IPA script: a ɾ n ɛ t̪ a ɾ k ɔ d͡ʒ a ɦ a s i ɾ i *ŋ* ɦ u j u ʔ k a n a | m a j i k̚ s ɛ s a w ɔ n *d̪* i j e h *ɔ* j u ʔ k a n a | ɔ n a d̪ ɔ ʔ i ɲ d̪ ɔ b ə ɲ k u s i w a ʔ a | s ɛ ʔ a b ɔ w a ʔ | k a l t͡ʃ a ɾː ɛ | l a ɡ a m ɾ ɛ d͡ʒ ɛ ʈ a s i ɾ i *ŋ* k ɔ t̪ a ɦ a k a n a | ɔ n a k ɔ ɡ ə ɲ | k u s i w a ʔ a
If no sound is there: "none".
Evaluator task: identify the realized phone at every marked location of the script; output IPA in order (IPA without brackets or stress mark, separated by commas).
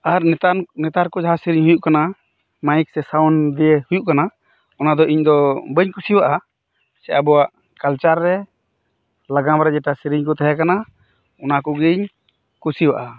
ɲ, d̪, u, ɲ